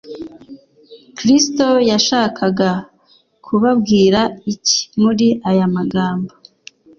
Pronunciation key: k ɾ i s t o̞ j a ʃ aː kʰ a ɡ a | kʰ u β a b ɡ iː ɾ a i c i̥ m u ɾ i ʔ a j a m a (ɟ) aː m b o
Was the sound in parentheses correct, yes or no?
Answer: no